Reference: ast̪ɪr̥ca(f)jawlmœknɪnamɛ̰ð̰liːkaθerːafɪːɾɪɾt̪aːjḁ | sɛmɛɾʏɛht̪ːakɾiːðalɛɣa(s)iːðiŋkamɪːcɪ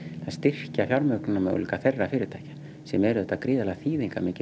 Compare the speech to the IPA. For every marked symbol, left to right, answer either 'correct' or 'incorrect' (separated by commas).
correct, incorrect